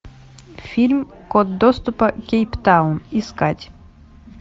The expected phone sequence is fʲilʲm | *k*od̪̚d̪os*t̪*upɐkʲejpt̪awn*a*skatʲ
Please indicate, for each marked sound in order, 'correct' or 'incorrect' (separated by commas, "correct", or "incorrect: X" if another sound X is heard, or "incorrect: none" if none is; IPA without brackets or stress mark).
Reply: correct, correct, incorrect: i